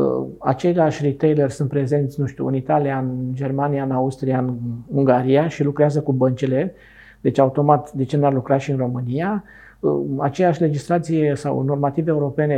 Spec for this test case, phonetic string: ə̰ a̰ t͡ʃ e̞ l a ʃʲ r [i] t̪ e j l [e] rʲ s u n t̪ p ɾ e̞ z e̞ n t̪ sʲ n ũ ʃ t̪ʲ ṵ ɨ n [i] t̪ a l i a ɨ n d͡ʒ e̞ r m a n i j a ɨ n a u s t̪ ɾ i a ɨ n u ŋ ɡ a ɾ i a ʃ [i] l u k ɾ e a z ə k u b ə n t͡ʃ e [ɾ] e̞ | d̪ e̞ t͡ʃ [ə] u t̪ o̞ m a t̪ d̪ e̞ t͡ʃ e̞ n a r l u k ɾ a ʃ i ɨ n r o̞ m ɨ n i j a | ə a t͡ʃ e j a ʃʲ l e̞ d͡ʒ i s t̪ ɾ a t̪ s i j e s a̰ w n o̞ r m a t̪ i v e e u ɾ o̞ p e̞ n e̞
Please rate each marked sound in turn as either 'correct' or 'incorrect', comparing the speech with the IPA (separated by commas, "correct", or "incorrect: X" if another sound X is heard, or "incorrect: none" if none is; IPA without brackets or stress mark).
correct, correct, correct, correct, incorrect: l, incorrect: a